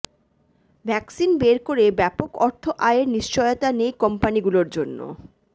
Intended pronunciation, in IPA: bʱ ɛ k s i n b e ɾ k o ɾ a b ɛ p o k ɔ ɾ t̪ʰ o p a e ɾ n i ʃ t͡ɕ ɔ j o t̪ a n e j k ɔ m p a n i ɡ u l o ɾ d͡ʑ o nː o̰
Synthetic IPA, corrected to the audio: bʱ ɛ k s i n b e ɾ k o ɾ e b ɛ p o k ɔ ɾ t̪ʰ o ʔ a e ɾ n i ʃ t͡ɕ ɔ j o t̪ a n e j k ɔ m p a n i ɡ u l o ɾ d͡ʑ o nː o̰